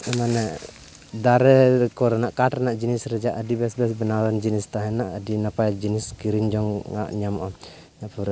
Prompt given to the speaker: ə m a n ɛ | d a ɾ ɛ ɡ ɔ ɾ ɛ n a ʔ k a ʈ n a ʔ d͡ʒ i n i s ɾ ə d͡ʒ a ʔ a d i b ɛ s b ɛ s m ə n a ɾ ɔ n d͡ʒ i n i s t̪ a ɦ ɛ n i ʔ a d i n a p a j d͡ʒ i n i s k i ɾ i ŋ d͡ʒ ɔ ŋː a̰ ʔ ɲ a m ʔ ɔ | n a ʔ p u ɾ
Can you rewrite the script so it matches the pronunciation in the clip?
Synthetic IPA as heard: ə m a n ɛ | d a ɾ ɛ k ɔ ɾ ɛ n a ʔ k a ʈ n a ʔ d͡ʒ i n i s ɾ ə d͡ʒ a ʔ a d i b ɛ s b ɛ s b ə n a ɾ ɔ n d͡ʒ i n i s t̪ a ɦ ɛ n a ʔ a d i n a p a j d͡ʒ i n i s k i ɾ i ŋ d͡ʒ ɔ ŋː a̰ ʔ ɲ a m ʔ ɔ | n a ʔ p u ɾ